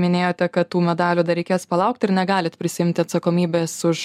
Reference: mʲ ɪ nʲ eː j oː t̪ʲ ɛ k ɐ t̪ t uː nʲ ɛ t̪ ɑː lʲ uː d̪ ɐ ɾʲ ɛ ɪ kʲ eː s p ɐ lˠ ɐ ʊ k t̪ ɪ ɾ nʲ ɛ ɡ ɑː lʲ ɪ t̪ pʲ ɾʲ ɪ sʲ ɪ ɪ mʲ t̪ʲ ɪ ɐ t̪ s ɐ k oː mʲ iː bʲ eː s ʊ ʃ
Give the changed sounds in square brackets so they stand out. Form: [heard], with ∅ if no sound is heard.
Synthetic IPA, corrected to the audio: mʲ ɪ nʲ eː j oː t̪ʲ ɛ k ɐ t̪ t uː [mʲ] ɛ [d̪] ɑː lʲ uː d̪ ɐ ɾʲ ɛ ɪ kʲ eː s p ɐ lˠ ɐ ʊ k t̪ ɪ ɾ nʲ ɛ ɡ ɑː lʲ ɪ t̪ pʲ ɾʲ ɪ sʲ ɪ ɪ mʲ t̪ʲ ɪ ɐ t̪ s ɐ k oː mʲ iː bʲ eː s ʊ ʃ